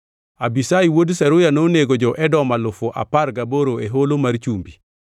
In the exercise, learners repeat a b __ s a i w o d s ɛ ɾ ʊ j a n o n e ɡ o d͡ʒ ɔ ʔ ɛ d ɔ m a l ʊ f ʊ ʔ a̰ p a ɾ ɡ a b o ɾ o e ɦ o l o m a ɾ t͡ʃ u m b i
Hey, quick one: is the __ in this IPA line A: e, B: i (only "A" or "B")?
B